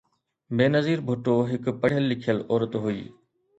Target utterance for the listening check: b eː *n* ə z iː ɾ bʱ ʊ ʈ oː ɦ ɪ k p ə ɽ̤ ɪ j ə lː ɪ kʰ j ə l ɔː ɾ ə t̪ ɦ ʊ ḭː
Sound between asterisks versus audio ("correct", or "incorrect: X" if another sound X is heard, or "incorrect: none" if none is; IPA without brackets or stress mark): correct